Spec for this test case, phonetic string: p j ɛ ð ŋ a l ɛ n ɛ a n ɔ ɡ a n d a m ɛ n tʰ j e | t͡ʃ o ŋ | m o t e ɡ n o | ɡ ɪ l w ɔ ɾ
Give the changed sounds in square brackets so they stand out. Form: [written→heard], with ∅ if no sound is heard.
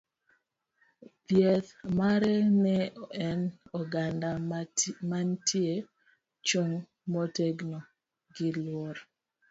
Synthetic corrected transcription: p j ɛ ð [ŋ→m] a [l→ɾ] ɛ n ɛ [a→ɛ] n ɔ ɡ a n d a m [ɛ→a] n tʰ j e | t͡ʃ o ŋ | m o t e ɡ n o | ɡ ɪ l w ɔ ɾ